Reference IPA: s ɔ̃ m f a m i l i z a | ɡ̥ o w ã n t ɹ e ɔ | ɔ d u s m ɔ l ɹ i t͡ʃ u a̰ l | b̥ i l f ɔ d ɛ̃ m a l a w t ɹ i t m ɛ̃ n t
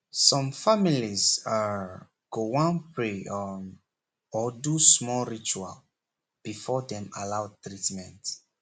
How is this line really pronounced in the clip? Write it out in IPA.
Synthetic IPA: s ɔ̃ m f a m i l i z a | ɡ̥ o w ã n p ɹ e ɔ | ɔ d u s m ɔ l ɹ i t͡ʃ u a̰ l | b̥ i f ɔ d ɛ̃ m a l a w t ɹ i t m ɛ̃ n t

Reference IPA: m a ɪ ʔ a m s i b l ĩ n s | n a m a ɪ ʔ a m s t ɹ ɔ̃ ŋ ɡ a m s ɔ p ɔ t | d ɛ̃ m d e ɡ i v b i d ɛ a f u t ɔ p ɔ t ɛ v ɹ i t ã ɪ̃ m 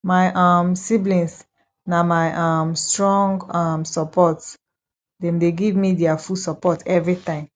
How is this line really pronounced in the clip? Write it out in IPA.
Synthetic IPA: m a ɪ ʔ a m s i b l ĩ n s | n a m a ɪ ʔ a m s t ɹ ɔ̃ ŋ ɡ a m s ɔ p ɔ t | d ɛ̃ m d e ɡ i v m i d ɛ a f u s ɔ p ɔ t ɛ v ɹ i t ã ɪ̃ m

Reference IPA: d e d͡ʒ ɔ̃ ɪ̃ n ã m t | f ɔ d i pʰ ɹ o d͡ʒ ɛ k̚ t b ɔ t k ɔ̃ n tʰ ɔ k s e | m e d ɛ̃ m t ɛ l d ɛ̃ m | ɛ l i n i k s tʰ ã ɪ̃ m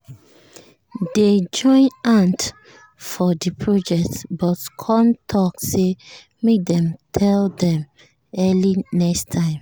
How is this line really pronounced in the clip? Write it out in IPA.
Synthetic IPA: d e d͡ʒ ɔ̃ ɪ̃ n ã n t | f ɔ d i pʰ ɹ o d͡ʒ ɛ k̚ t b ɔ t kʰ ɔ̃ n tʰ ɔ k s e | m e d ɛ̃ m tʰ ɛ l d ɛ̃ m | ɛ l i n ɛ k s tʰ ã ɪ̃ m

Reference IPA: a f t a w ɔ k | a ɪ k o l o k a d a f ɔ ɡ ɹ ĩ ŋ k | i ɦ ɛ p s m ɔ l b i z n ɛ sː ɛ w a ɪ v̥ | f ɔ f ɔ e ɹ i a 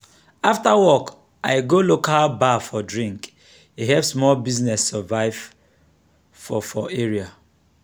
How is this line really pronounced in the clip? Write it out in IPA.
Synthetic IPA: a f t a w ɔ k | a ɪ ɡ o l o k a b a f ɔ d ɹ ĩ ŋ k | i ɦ ɛ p s m ɔ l b i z n ɛ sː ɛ v a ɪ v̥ | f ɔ f ɔ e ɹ i a

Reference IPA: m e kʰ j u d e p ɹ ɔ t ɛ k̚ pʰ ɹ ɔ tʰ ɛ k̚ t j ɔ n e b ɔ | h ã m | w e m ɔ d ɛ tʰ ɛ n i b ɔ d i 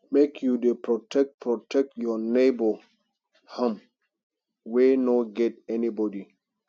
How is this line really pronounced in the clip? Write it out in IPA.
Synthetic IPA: m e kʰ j u d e p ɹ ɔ t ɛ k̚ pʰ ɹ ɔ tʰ ɛ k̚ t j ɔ n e b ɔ | h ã m | w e n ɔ ɡ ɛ t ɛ n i b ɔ d i

